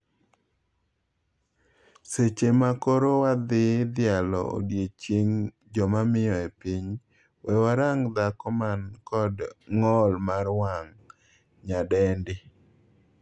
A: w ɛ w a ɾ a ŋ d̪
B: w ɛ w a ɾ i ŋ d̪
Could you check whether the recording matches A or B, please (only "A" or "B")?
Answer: A